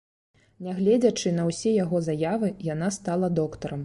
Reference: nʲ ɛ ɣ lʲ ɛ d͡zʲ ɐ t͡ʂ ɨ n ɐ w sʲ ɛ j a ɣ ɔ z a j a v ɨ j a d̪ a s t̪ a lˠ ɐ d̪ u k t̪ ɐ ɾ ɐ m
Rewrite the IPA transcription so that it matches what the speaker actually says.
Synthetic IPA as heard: nʲ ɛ ɣ lʲ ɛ d͡zʲ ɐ t͡ʂ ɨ n ɐ w sʲ ɛ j a ɣ ɔ z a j a v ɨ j a n̪ a s t̪ a lˠ ɐ d̪ ɔ k t̪ ɐ ɾ ɐ m